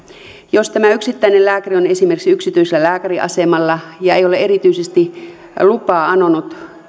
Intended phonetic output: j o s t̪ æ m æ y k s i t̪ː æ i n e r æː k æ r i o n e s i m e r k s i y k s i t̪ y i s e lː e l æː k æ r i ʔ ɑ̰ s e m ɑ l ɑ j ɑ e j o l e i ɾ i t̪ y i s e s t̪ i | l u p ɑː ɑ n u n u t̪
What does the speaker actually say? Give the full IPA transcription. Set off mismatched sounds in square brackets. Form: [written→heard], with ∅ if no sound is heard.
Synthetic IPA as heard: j o s t̪ æ m æ y k s i t̪ː æ i n e [r→l] æː k æ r i o n e s i m e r k s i y k s i t̪ y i s e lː [e→æ] l æː k æ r i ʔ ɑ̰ s e m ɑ [l→lː] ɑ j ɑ e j o l e [i→e] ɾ i t̪ y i s e s t̪ i | l u p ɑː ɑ n [u→o] n u t̪

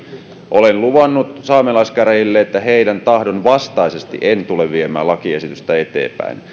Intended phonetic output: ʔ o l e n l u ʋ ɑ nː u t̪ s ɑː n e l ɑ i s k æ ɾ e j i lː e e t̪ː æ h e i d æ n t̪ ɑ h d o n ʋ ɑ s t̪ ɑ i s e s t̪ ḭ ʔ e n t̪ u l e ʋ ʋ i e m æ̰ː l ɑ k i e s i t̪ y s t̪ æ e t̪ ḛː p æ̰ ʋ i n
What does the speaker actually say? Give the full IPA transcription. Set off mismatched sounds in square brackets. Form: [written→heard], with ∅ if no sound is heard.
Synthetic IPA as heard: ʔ o l e n l u ʋ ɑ nː u t̪ s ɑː [n→m] e l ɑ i s k æ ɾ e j i lː e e t̪ː æ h e i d æ n t̪ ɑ h d o n ʋ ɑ s t̪ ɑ i s e s t̪ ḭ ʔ e n t̪ u l e ʋ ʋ i e m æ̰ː l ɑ k i e s i t̪ y s t̪ æ e t̪ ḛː p æ̰ [ʋ→∅] i n

